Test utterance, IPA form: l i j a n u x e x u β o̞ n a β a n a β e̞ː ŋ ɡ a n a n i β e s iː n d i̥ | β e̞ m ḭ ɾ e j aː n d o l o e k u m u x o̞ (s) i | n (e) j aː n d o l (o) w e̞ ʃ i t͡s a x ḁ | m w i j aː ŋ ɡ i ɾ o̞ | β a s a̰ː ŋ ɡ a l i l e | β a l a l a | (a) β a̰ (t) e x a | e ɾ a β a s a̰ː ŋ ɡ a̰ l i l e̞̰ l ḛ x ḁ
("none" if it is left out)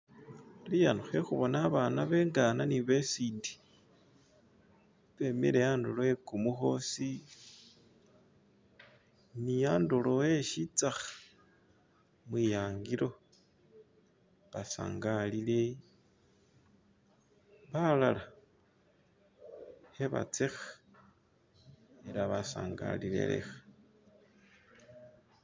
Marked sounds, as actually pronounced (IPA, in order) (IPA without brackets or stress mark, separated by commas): s, i, o, e, t͡s